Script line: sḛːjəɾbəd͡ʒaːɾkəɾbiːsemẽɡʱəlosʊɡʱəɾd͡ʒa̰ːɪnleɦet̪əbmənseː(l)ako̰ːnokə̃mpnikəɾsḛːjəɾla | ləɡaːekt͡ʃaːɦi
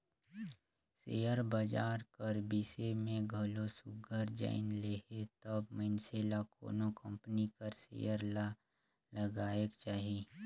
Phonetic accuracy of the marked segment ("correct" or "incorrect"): correct